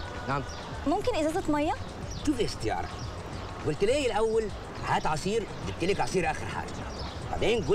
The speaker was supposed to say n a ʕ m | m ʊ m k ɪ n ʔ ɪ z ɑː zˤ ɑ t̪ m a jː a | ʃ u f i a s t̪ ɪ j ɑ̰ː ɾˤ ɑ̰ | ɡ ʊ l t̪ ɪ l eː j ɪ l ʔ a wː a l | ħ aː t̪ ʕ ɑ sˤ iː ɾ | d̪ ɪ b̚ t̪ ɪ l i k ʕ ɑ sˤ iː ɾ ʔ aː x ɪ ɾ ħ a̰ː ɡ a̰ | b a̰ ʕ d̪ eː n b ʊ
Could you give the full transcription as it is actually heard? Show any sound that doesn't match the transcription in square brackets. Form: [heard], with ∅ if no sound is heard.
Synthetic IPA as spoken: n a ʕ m | m ʊ m k ɪ n ʔ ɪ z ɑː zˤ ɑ t̪ m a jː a | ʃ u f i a s t̪ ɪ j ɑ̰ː ɾˤ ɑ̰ | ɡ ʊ l t̪ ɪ l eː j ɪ l ʔ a wː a l | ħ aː t̪ ʕ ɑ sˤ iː ɾ | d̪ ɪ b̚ t̪ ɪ l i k ʕ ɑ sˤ iː ɾ ʔ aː x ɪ ɾ ħ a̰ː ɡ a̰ | b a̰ ʕ d̪ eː n [ɡ] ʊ